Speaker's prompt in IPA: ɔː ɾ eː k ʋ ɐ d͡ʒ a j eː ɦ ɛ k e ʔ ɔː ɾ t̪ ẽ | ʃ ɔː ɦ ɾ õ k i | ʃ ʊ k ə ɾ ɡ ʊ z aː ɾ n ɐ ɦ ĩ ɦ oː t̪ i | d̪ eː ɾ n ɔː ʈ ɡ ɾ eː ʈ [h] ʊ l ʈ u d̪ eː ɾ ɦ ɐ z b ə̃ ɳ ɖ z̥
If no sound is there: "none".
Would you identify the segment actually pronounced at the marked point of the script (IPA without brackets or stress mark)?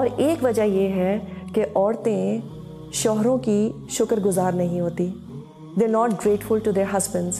f